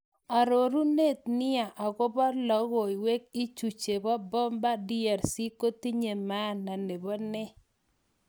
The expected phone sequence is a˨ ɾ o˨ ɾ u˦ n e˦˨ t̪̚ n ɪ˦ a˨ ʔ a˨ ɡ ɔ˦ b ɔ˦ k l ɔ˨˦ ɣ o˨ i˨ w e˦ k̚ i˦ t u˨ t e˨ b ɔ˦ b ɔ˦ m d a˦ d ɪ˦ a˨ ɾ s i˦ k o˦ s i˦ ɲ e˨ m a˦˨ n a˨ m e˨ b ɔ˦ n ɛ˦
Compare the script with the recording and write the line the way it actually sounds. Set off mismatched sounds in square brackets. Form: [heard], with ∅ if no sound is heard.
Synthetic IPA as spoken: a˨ ɾ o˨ ɾ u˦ n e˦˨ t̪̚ n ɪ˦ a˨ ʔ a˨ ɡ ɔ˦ b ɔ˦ [∅] l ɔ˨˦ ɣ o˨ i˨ w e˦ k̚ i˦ [t͡ʃ] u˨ [t͡ʃ] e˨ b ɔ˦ b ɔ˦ m [b] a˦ d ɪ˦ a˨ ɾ s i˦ k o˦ [t] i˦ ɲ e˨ m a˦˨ n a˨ [n] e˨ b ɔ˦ n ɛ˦